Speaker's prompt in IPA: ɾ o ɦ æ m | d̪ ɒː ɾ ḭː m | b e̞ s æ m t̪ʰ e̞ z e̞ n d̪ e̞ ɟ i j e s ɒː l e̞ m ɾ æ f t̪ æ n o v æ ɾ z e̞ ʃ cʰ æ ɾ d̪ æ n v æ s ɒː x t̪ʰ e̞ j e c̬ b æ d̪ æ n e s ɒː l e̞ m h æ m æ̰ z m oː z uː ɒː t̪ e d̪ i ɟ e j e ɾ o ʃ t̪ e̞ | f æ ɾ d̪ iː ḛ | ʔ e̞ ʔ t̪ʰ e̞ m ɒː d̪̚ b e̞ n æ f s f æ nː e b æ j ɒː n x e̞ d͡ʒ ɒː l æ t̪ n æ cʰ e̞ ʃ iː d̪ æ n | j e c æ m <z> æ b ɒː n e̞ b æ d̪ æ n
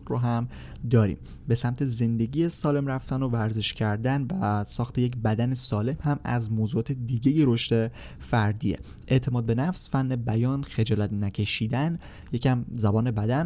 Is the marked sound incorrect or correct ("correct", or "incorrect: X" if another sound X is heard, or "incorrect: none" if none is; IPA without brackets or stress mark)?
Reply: correct